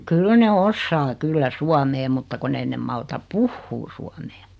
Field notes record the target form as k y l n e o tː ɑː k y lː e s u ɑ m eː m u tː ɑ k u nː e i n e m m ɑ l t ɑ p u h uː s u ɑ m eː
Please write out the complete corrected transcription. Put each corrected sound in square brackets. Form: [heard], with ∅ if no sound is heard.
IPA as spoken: k y l n e o [sː] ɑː k y lː [æ] s u ɑ m eː m u tː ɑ k u nː e i n e m m ɑ l t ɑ p u [hː] uː s u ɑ m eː